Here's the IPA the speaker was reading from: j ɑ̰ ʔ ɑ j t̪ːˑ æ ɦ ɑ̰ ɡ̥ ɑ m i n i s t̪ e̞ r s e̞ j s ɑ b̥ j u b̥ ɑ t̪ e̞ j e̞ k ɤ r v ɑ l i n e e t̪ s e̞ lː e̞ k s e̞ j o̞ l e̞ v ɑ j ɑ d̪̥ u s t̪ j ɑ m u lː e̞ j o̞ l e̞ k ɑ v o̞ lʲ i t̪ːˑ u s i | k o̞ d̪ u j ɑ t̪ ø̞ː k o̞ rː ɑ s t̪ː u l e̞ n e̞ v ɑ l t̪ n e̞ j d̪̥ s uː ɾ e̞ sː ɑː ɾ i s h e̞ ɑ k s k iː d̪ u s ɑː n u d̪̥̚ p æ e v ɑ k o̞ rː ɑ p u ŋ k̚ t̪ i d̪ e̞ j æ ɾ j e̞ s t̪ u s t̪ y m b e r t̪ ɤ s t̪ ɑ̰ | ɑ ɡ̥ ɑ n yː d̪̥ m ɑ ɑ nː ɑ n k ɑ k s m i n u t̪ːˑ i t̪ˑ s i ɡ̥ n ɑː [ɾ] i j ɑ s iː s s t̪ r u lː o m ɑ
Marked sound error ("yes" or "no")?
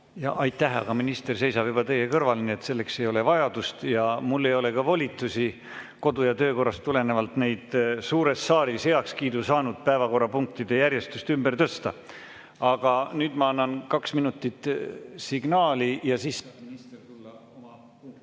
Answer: yes